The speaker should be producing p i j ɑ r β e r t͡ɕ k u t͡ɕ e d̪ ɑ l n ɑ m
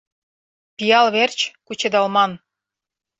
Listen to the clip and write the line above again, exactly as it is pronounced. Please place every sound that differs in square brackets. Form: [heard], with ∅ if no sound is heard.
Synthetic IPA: p i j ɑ [l] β e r t͡ɕ k u t͡ɕ e d̪ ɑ l [m] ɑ [n]

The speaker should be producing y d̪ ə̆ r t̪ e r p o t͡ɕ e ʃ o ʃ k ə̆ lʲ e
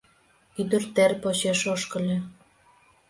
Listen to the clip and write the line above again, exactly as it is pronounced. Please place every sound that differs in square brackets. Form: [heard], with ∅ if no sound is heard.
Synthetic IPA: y d̪ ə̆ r t̪ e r p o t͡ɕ e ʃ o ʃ k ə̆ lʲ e

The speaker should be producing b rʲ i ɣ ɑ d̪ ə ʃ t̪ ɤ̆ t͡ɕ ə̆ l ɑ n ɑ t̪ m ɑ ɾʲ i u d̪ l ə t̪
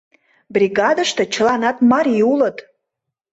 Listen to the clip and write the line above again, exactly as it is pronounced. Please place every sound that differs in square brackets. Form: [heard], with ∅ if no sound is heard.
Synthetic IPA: b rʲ i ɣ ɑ d̪ ə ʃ t̪ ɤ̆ t͡ɕ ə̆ l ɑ n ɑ t̪ m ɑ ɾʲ i u [∅] l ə t̪

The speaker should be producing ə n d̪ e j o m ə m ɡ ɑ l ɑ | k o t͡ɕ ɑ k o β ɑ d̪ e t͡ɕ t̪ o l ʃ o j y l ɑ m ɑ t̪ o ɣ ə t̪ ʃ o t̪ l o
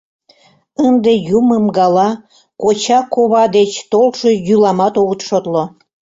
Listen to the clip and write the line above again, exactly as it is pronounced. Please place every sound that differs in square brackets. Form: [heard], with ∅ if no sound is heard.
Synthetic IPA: ə n d̪ e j [u] m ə m ɡ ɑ l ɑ | k o t͡ɕ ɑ k o β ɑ d̪ e t͡ɕ t̪ o l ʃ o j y l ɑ m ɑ t̪ o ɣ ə t̪ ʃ o t̪ l o

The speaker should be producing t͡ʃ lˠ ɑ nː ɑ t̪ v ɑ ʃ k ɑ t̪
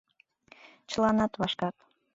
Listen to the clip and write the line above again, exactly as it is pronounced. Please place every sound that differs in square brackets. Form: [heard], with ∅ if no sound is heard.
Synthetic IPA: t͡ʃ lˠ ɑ [n] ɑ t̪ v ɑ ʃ k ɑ t̪

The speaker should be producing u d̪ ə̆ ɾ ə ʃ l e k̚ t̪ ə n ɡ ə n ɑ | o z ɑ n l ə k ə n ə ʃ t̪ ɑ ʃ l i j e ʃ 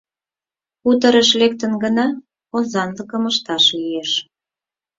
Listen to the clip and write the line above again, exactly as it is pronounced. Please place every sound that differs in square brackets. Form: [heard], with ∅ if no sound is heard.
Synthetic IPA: u [t̪] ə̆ ɾ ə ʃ l e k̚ t̪ ə n ɡ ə n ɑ | o z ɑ n l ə k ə [m] ə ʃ t̪ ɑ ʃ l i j e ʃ

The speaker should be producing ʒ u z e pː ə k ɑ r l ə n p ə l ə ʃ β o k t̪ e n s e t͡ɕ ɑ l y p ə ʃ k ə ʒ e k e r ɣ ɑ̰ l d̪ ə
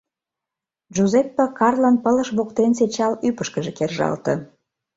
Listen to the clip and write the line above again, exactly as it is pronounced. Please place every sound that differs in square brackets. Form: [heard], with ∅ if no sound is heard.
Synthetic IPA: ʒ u z e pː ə k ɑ r l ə n p ə l ə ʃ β o k t̪ e n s e t͡ɕ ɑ l y p ə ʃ k ə ʒ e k e r [ʒ] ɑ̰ l [t̪] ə

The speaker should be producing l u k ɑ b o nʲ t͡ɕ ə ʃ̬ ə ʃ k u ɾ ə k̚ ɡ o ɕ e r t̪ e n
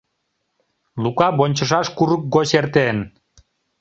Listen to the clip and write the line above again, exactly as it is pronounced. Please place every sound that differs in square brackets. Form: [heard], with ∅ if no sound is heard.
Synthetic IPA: l u k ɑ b o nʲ t͡ɕ ə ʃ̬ [ɑ] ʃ k u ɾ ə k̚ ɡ o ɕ e r t̪ e n

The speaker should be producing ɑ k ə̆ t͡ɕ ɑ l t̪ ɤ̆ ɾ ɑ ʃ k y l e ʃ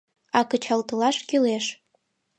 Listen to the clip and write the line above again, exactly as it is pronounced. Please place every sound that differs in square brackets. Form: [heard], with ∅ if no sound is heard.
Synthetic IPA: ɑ k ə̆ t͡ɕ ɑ l t̪ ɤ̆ [l] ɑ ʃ k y l e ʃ

